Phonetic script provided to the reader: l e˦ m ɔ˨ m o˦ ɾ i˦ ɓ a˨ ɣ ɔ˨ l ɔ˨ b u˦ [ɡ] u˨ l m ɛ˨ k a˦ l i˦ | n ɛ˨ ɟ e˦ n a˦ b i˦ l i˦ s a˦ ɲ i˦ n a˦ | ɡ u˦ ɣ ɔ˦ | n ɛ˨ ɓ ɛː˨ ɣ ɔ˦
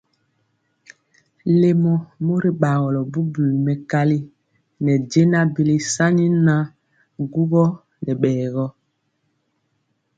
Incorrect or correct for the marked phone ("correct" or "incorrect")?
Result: incorrect